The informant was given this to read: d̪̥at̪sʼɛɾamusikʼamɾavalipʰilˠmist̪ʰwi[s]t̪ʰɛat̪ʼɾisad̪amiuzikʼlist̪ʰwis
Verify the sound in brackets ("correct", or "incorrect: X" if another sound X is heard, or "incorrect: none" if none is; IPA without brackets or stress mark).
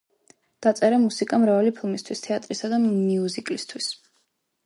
correct